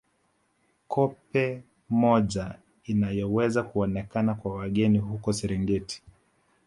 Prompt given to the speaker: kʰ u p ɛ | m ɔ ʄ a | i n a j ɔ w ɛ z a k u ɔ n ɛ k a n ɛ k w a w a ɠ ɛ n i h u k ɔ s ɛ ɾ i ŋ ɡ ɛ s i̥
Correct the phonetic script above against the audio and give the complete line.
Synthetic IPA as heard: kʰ ɔ p ɛ | m ɔ ʄ a | i n a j ɔ w ɛ z a k u ɔ n ɛ k a n a k w a w a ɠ ɛ n i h u k ɔ s ɛ ɾ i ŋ ɡ ɛ t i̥

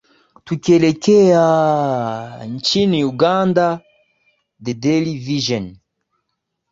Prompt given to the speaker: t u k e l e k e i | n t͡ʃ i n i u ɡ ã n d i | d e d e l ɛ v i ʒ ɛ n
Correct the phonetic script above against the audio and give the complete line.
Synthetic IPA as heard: t u k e l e k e a | n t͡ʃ i n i u ɡ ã n d a | d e d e l i v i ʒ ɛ n

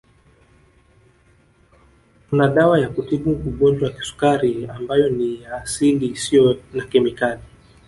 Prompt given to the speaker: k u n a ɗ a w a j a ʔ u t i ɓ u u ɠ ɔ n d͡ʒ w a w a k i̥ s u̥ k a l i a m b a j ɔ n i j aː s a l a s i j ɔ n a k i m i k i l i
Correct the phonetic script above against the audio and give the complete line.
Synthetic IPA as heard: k u n a ɗ a w a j a k u t i ɓ u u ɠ ɔ n d͡ʒ w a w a k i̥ s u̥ k a ɾ i a m b a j ɔ n i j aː s i l i s i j ɔ n a k ɛ m i k a l i

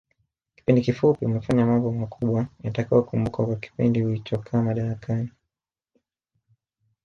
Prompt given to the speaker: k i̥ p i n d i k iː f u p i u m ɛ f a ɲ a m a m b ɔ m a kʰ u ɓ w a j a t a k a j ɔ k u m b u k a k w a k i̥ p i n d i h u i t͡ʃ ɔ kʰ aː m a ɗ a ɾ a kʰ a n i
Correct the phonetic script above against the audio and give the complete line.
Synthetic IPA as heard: k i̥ p i n d i k i f u p i u m ɛ f a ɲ a m a m b ɔ m a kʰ u ɓ w a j a t a k a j ɔ k u m b u k a k w a k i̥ p i n d i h u i t͡ʃ ɔ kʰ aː m a ɗ a ɾ a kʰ a n i

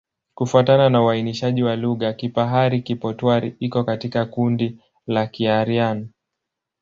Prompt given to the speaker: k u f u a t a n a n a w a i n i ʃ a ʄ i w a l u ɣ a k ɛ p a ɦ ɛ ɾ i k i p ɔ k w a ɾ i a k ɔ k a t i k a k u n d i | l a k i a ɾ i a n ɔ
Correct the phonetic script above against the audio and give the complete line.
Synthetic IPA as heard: k u f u a t a n a n a u a i n i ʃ a ʄ i w a l u ɣ a k i p a ɦ a ɾ i k i p ɔ t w a ɾ i i k ɔ k a t i k a k u n d i | l a k i a ɾ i a n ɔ

